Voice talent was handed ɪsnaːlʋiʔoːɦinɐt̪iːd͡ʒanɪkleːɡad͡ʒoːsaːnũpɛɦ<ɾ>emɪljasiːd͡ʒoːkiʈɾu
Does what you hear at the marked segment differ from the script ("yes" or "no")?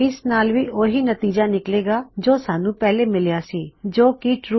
yes